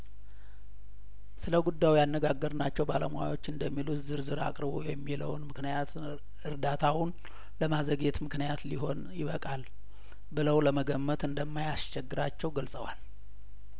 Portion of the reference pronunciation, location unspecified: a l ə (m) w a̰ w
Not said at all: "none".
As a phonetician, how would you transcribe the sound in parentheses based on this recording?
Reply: m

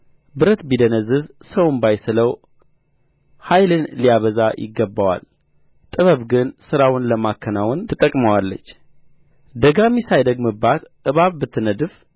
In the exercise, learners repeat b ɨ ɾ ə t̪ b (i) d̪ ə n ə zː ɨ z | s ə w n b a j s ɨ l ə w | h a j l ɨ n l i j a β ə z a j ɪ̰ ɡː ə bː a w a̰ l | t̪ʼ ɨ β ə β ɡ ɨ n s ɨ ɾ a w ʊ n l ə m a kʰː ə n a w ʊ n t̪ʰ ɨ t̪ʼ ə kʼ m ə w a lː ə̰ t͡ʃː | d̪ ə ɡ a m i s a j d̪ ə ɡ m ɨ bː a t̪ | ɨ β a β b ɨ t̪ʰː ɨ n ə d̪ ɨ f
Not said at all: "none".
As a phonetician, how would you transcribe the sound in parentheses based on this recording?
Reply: i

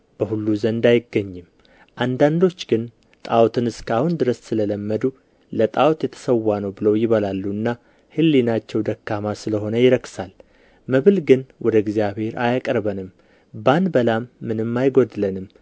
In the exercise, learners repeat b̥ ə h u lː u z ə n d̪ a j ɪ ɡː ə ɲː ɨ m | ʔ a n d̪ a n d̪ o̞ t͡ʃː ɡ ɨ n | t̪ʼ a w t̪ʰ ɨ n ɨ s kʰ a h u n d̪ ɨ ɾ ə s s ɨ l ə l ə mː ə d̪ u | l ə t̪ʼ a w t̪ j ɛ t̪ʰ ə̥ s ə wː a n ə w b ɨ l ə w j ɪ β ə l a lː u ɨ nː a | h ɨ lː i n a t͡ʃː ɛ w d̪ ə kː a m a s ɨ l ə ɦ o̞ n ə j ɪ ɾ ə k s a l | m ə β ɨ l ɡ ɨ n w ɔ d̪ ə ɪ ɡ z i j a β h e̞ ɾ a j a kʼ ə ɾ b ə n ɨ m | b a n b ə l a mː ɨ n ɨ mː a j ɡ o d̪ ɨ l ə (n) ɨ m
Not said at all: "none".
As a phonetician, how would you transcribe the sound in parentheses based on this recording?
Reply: n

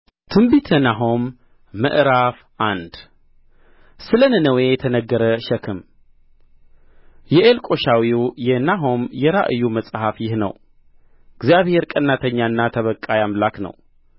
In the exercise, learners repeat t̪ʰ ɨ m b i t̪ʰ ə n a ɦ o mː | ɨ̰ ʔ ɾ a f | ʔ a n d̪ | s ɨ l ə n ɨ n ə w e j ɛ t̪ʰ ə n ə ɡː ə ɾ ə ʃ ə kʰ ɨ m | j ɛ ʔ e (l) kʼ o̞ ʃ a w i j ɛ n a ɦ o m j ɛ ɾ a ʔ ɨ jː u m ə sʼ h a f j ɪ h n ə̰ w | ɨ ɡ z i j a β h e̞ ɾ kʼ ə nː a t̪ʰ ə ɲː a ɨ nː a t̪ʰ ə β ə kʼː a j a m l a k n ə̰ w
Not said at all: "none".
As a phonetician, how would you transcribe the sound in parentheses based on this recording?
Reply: l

